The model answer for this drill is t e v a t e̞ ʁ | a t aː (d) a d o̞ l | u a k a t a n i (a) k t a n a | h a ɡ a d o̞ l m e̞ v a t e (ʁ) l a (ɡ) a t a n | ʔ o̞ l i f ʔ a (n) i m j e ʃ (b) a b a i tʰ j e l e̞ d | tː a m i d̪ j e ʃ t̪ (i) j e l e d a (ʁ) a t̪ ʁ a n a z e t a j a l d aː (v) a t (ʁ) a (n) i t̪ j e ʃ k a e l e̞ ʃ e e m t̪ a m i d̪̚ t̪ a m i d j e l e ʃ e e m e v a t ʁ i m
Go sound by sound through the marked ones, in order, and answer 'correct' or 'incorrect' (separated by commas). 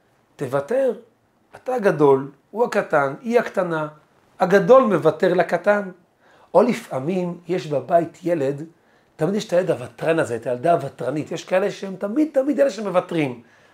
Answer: incorrect, correct, correct, incorrect, incorrect, correct, incorrect, incorrect, correct, correct, correct